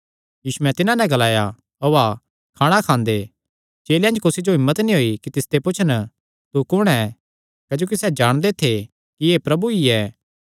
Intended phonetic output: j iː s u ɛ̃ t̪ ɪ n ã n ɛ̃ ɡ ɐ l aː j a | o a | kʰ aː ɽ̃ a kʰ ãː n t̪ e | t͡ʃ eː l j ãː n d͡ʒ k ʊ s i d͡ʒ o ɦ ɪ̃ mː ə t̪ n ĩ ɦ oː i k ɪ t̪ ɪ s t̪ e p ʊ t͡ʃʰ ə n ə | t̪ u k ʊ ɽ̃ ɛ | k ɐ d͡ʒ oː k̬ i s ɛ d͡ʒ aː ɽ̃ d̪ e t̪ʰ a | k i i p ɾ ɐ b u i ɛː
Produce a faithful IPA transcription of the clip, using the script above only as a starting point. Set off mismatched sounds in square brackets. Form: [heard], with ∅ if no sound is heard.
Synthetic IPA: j iː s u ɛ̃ t̪ ɪ n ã n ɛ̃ ɡ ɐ l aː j a | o a | kʰ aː ɽ̃ a kʰ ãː n [d̪] e | t͡ʃ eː l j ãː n d͡ʒ k ʊ s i d͡ʒ o ɦ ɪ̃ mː ə t̪ n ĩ ɦ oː i k [i] t̪ ɪ s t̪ e p ʊ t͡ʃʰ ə n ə | t̪ u k ʊ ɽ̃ ɛ | k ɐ d͡ʒ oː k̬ i s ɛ d͡ʒ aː ɽ̃ d̪ e t̪ʰ [e] | k i [e] p ɾ ɐ b u i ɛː